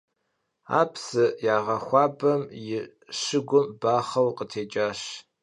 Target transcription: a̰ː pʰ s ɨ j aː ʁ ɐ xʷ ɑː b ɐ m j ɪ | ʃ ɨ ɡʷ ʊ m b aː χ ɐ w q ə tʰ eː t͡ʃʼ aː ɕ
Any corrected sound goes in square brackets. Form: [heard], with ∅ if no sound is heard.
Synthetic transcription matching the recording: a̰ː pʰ s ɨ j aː ʁ ɐ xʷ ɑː b ɐ m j ɪ | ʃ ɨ ɡʷ ʊ m b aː χ ɐ w q ə tʰ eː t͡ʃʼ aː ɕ